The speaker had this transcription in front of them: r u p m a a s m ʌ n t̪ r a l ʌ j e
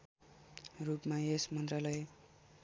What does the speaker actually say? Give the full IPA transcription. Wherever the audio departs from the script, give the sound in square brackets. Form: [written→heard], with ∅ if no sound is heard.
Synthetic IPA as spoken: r u p m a [a→e] s m ʌ n t̪ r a l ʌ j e